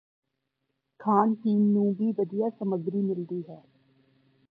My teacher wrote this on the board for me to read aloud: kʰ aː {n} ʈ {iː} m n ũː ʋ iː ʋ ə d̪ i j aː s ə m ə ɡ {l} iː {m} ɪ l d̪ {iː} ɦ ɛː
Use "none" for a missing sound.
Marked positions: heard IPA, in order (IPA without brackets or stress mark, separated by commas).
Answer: n, iː, ɾ, m, iː